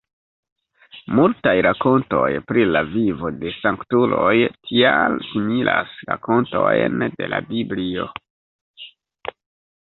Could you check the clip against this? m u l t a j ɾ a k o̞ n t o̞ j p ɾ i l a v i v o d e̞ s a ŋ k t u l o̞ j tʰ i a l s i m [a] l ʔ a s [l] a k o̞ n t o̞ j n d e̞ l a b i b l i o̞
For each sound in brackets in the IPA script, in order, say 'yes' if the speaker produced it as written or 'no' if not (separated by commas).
no, no